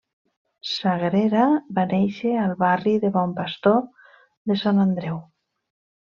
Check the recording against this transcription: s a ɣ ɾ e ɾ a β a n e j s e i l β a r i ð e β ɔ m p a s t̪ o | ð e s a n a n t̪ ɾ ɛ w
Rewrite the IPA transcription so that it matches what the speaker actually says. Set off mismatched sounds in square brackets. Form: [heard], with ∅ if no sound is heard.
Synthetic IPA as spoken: s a ɣ ɾ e ɾ a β a n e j [ʃ] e [a] l β a r i ð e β ɔ m p a s t̪ o | ð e s a n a n [d̪] ɾ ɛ w